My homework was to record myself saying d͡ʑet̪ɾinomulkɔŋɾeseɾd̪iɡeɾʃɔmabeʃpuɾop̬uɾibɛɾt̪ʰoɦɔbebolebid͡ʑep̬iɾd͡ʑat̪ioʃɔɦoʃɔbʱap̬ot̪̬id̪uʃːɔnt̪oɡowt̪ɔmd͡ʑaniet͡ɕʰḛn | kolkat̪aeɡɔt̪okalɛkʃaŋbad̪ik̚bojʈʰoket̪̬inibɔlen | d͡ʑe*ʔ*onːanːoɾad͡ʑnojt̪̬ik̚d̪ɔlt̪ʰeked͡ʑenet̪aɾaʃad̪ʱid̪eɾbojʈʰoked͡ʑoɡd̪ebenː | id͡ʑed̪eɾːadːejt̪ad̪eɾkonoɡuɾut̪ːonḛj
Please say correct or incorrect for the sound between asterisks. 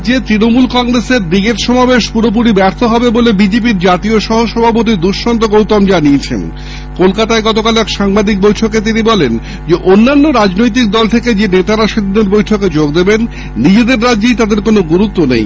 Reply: correct